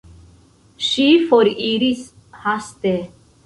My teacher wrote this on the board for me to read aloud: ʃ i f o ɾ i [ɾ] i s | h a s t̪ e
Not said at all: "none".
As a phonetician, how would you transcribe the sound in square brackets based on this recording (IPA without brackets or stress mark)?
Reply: ɾ